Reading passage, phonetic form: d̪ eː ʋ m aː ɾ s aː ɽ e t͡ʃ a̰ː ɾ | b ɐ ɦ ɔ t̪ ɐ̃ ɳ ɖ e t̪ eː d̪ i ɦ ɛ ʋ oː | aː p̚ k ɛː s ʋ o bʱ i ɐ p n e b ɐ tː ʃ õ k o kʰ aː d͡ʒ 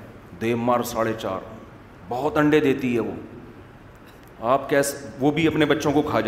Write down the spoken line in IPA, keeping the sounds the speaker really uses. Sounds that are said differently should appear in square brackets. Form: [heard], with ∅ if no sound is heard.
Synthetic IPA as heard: d̪ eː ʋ m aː ɾ s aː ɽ e t͡ʃ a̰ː ɾ | b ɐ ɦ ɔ t̪ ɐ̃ ɳ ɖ e [d̪] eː [t̪] i ɦ ɛ ʋ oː | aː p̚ k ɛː s ʋ o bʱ i ɐ p n e b ɐ tː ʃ õ k o kʰ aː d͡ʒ